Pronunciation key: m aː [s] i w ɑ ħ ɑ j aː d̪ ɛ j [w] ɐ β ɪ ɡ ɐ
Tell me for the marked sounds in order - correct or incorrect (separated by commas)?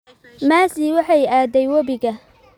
correct, correct